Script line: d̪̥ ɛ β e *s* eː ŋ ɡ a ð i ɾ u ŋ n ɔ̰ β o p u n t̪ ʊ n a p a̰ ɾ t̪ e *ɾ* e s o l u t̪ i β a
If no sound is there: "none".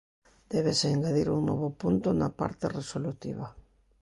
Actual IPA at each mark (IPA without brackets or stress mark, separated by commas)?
s, r